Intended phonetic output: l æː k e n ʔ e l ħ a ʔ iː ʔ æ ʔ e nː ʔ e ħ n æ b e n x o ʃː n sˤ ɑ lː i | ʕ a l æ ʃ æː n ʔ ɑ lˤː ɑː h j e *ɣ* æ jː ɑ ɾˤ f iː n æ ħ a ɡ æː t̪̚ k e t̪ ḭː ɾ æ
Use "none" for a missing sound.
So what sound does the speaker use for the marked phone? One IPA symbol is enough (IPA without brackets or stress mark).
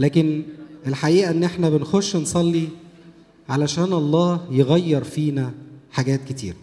ɣ